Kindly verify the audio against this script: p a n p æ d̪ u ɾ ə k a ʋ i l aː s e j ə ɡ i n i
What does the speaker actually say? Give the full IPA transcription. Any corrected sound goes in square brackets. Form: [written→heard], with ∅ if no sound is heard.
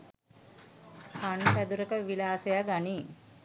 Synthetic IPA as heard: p a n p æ d̪ u ɾ ə k [a→ə] ʋ i l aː s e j [ə→a] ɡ [i→a] n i